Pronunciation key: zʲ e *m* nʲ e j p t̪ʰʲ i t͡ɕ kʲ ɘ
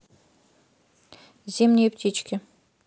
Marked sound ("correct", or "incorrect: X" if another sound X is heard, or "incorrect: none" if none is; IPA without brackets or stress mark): correct